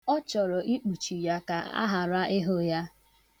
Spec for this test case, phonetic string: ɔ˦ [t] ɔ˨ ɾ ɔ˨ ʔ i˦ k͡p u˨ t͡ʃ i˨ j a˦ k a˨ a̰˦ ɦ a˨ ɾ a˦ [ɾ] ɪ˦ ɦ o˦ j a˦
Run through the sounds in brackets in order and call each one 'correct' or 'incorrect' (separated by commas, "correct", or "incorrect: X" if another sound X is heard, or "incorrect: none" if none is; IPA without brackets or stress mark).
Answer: incorrect: t͡ʃ, incorrect: none